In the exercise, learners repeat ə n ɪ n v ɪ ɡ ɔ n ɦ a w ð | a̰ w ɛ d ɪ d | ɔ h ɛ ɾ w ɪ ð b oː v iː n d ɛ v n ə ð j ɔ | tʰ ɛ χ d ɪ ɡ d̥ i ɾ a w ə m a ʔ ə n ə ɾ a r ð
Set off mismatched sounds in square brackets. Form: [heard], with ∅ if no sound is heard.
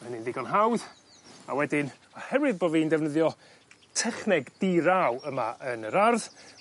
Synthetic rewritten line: ə n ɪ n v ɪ ɡ ɔ n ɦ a w ð | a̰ w ɛ d ɪ [n] | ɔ h ɛ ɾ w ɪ ð b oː v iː n d ɛ v n ə ð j ɔ | tʰ ɛ χ [n] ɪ ɡ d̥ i ɾ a w ə m a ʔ ə n ə ɾ a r ð